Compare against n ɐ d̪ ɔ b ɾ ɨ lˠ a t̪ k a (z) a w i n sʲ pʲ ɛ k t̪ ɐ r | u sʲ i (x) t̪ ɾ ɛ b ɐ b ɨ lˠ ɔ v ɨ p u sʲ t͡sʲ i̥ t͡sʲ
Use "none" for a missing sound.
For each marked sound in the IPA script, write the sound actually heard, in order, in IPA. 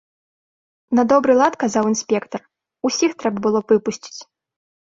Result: z, x

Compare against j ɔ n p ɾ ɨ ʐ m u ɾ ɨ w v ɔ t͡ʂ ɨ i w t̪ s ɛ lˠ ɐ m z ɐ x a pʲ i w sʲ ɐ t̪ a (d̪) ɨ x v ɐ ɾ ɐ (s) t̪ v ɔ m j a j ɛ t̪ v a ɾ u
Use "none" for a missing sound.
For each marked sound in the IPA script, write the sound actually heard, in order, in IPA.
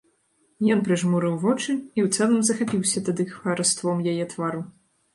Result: d̪, s

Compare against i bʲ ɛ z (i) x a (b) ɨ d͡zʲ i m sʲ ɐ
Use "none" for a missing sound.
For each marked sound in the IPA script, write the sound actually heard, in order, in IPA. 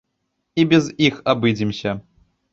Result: i, b

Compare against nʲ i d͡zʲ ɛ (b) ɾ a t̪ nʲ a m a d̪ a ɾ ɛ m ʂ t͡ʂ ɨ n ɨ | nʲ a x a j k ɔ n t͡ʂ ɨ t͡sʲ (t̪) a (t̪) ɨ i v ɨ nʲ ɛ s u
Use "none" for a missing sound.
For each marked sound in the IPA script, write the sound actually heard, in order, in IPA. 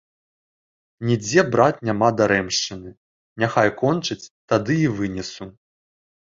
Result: b, t̪, d̪

